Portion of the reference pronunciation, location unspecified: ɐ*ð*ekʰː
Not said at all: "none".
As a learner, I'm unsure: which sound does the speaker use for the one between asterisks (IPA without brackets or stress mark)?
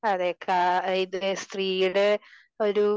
ð